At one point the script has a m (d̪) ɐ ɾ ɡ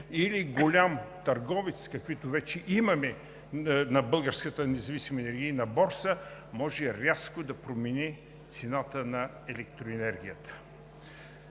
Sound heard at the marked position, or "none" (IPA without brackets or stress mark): t̪